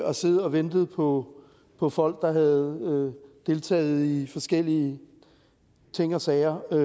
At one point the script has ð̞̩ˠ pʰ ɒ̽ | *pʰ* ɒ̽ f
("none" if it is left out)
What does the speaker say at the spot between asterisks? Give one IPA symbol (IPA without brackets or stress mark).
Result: pʰ